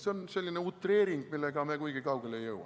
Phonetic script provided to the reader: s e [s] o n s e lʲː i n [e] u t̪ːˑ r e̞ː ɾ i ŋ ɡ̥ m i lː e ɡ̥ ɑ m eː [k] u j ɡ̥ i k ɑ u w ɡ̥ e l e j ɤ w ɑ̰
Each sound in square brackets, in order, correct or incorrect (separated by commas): incorrect, correct, correct